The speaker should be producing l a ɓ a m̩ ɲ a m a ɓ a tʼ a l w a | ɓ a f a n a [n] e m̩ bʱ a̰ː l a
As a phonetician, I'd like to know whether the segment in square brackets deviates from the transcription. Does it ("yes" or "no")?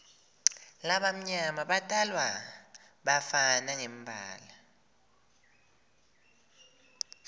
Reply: yes